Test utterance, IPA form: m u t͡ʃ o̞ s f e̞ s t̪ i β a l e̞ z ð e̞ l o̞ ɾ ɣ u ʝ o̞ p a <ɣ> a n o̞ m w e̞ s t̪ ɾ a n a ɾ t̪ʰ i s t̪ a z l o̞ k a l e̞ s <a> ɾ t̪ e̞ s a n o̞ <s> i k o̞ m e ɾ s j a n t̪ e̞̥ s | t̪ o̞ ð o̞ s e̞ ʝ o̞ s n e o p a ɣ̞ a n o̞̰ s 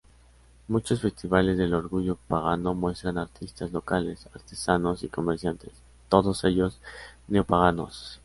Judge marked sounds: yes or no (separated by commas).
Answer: yes, yes, yes